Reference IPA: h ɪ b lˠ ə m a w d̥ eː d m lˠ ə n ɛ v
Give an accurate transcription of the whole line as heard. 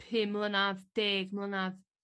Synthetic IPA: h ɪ m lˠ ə n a v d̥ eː ɡ m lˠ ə n a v